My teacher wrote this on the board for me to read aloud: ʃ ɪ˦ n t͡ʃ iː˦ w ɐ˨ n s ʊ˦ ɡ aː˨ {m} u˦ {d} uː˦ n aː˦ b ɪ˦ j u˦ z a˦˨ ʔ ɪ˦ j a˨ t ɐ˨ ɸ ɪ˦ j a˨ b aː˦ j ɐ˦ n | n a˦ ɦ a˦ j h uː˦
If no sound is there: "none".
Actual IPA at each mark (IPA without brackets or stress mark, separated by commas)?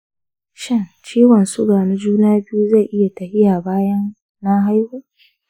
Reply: n, d͡ʒ